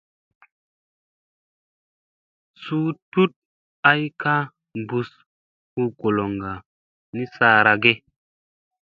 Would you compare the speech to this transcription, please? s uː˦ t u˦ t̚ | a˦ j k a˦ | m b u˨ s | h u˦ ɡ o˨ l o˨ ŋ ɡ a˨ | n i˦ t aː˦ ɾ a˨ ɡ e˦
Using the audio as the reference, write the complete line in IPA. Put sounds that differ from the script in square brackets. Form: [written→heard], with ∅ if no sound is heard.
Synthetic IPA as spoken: s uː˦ t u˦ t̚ | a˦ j k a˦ | m b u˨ s | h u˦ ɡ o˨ l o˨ ŋ ɡ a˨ | n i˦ [t→s] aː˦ ɾ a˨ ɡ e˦